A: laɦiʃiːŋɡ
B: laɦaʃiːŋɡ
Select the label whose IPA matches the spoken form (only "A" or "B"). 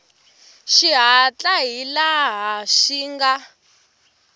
B